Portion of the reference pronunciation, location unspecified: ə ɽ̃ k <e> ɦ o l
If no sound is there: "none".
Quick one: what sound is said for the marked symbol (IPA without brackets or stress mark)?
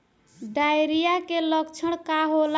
a